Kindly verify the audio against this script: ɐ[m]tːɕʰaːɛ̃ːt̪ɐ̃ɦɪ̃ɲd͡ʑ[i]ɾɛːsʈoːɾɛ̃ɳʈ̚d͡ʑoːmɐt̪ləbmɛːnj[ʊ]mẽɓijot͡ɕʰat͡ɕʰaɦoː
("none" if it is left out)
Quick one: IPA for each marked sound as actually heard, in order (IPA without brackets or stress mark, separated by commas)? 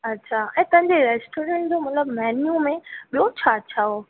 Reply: none, e, u